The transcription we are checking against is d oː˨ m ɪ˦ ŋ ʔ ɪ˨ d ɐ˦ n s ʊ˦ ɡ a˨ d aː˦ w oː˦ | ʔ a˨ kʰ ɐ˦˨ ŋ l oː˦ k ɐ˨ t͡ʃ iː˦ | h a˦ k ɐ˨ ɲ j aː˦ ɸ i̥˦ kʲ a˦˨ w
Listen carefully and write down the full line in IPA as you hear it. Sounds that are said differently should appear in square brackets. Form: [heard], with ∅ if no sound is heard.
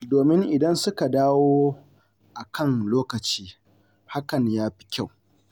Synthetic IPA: d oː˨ m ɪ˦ ŋ ʔ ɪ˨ d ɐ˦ n s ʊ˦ [k] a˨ d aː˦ w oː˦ | ʔ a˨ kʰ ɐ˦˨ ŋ l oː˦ k ɐ˨ t͡ʃ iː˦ | h a˦ k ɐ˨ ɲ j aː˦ ɸ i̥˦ kʲ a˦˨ w